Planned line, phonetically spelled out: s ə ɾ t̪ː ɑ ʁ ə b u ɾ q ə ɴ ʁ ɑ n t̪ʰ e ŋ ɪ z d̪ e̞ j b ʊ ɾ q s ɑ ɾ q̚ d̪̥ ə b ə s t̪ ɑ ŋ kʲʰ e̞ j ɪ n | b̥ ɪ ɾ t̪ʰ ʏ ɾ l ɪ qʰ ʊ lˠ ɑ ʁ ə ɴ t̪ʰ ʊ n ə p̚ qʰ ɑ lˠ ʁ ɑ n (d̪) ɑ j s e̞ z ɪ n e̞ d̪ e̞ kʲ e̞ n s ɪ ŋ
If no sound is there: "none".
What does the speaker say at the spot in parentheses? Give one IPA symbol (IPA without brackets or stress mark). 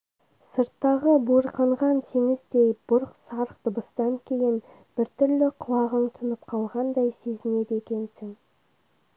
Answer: d̪